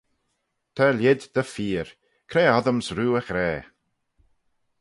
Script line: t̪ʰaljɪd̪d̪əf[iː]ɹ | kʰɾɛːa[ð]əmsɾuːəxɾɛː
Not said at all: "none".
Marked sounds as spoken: iː, ð

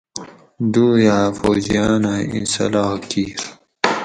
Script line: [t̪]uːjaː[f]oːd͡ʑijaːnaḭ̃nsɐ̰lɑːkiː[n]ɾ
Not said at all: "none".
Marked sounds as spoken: d̪, f, none

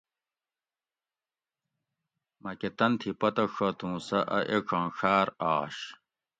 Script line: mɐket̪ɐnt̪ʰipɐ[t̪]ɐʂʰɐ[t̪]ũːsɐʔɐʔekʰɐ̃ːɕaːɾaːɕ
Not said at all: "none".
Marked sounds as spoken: t̪, t̪

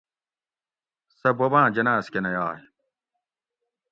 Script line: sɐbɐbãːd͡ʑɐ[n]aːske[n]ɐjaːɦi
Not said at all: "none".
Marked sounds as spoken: n, n

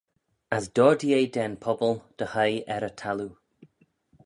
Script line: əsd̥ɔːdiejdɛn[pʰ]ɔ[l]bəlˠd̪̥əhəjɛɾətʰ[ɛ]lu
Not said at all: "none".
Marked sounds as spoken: pʰ, none, a

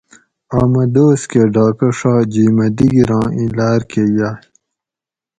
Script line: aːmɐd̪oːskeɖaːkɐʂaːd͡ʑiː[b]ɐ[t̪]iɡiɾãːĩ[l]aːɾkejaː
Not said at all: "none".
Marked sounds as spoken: m, d̪, l

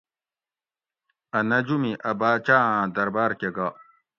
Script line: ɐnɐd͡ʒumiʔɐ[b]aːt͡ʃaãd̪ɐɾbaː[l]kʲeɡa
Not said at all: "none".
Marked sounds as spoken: b, ɾ

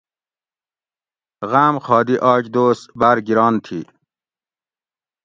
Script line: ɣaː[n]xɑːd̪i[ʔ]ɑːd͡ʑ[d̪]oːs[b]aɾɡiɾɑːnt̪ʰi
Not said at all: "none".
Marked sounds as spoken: m, ʔ, d̪, b

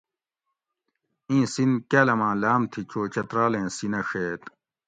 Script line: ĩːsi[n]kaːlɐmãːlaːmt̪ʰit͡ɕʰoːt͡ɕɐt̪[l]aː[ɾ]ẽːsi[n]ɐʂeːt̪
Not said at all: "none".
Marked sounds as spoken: n, ɾ, l, n

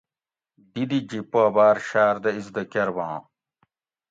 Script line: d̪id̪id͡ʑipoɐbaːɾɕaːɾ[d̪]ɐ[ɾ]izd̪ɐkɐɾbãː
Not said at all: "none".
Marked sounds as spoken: d̪, none

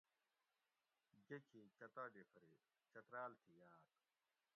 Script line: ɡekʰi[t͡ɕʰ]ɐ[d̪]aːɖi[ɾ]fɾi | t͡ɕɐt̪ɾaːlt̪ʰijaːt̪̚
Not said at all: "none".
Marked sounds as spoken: t͡ɕ, t̪, none

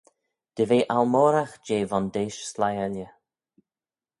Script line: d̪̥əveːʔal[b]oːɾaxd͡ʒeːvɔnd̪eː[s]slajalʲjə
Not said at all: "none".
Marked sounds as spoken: m, ʃ

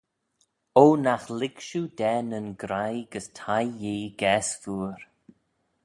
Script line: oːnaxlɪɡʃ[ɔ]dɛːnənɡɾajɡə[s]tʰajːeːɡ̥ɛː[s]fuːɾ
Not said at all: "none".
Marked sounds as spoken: u, s, s

